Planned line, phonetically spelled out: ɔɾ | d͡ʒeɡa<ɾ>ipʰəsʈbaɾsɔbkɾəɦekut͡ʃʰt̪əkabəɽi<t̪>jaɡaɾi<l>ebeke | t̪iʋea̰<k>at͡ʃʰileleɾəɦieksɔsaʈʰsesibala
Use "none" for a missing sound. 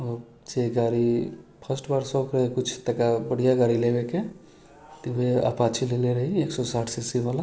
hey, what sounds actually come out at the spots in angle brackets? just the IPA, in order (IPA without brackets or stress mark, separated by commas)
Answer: ɾ, none, l, p